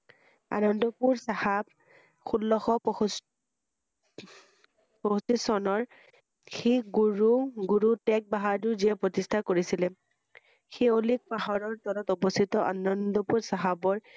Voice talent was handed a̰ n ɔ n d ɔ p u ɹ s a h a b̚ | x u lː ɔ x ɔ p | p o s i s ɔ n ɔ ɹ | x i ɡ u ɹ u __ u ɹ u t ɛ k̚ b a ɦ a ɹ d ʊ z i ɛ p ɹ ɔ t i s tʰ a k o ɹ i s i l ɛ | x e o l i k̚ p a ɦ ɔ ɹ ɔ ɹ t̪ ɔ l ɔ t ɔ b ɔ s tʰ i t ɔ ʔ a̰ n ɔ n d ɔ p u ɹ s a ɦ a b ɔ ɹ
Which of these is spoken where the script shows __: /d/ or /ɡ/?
ɡ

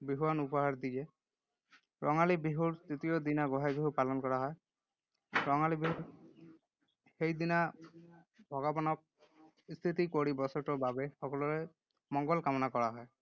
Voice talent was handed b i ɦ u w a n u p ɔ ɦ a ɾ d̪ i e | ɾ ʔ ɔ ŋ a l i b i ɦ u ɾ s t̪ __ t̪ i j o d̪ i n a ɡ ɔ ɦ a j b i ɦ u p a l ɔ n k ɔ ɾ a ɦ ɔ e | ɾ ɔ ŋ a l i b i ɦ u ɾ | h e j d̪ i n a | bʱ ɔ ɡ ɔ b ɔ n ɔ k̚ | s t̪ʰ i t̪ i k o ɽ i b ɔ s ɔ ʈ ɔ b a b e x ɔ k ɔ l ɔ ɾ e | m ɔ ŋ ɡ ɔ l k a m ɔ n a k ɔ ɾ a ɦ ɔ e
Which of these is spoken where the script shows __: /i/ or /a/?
i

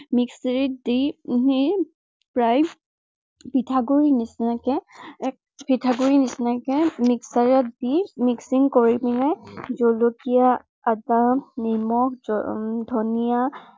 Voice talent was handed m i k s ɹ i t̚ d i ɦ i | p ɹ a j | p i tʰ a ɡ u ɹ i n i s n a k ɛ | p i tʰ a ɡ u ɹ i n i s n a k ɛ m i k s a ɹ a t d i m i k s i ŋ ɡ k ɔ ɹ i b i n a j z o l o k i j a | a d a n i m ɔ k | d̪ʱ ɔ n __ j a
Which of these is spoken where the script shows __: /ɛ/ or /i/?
i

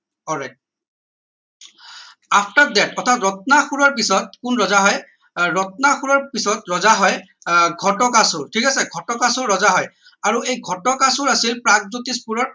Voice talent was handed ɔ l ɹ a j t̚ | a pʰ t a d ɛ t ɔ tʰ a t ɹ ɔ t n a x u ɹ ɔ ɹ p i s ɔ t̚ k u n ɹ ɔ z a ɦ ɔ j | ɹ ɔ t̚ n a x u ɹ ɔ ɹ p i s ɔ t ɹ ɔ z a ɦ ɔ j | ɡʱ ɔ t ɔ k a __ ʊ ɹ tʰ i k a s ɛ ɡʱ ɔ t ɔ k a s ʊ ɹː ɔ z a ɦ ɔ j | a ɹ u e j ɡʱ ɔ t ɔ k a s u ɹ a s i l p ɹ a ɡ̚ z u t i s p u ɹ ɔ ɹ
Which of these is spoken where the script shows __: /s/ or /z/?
s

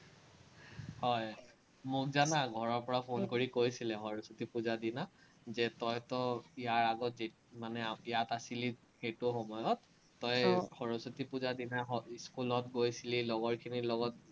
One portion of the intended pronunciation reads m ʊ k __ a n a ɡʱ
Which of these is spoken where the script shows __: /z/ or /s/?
z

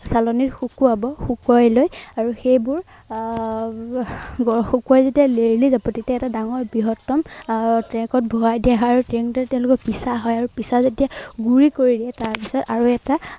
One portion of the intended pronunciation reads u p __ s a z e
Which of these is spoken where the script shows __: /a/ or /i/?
i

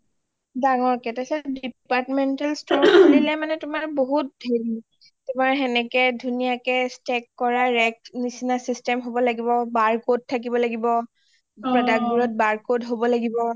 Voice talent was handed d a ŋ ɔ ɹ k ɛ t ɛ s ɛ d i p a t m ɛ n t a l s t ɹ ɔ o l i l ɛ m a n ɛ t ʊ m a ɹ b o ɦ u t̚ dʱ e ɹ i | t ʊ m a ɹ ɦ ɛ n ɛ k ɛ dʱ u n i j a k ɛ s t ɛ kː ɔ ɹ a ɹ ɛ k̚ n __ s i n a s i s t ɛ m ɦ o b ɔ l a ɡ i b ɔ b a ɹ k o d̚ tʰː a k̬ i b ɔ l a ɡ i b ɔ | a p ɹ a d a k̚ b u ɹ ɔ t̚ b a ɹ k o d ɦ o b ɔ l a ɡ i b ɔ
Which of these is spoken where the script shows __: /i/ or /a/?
i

